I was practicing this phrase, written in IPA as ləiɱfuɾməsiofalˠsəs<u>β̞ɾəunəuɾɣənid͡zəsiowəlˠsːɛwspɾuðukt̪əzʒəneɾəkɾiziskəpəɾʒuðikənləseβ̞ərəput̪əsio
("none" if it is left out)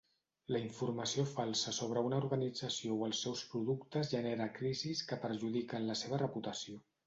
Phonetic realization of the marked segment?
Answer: o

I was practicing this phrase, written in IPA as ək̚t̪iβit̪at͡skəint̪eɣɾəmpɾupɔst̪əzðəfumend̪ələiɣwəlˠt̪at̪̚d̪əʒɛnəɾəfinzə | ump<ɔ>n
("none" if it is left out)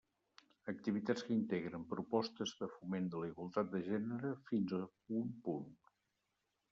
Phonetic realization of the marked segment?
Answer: u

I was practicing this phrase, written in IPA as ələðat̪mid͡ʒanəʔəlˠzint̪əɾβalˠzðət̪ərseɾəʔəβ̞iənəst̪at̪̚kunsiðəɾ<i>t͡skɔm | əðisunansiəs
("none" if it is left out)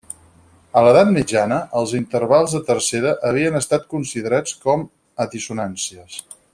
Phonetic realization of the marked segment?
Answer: a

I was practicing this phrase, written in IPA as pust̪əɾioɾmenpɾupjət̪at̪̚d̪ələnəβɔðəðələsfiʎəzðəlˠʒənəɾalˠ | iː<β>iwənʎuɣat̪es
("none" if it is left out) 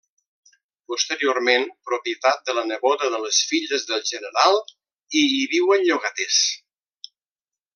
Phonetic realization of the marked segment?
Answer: β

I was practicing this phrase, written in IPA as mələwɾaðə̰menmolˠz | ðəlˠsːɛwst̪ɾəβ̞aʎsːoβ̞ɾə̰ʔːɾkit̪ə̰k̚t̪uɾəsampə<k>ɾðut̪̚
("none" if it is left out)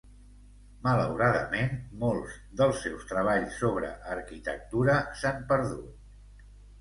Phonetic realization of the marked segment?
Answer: none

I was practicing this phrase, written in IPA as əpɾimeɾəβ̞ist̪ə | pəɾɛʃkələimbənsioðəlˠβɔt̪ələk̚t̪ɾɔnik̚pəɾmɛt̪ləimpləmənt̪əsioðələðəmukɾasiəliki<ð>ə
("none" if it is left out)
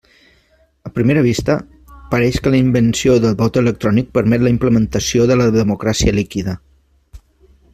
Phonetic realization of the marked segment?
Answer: ð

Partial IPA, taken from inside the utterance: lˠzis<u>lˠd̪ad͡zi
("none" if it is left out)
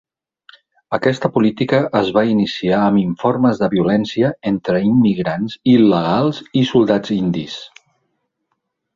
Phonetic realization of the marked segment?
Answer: u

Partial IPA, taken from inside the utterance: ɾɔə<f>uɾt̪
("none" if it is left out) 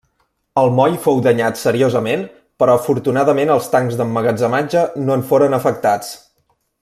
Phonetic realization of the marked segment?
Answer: f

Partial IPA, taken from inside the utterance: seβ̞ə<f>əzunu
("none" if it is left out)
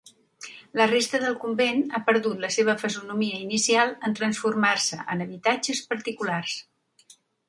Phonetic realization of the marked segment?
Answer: f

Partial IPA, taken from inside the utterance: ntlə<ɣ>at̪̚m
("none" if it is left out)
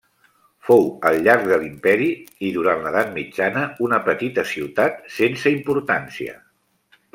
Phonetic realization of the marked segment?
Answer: ð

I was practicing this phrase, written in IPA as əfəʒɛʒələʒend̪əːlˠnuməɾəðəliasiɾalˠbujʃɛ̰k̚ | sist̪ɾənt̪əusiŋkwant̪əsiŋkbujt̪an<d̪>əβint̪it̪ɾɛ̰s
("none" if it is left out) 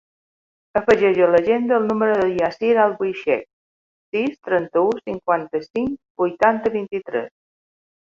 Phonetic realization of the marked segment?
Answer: t̪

